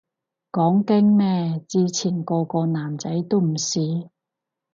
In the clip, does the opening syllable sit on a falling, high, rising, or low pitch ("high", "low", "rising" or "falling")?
rising